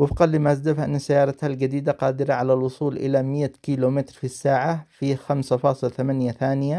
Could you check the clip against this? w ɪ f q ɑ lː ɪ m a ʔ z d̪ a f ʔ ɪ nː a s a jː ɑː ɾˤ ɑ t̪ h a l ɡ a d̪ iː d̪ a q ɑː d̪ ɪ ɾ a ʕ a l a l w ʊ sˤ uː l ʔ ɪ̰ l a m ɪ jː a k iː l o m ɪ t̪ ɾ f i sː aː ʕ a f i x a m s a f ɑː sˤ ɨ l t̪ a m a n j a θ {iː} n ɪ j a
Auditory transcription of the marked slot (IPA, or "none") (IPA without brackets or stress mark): aː